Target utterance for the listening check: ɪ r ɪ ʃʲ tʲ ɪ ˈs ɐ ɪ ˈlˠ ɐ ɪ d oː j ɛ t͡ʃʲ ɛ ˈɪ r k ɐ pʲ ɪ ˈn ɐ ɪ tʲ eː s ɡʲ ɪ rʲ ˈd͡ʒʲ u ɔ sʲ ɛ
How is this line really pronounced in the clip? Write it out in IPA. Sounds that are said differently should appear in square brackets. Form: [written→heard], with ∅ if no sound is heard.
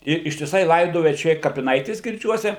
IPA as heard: ɪ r ɪ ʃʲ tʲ ɪ ˈs ɐ ɪ ˈlˠ ɐ ɪ d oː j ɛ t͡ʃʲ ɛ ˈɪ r k ɐ pʲ ɪ ˈn ɐ ɪ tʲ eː s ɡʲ ɪ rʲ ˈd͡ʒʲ u ɔ sʲ ɛ